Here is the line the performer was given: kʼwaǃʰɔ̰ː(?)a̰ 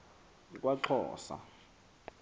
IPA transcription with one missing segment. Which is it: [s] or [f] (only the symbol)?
s